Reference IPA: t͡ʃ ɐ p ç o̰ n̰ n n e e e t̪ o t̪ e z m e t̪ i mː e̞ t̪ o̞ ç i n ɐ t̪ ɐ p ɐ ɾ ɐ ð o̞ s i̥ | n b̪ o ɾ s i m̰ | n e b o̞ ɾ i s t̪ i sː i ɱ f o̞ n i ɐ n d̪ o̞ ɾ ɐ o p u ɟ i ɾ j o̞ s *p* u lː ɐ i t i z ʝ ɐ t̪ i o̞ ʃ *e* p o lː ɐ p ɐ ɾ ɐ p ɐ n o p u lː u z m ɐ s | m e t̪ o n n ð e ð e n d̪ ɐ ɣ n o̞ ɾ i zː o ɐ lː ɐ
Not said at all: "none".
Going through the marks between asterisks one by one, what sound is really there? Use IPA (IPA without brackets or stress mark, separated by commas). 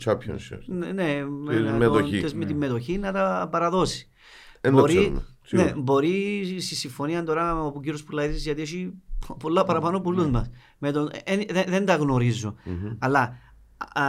p, i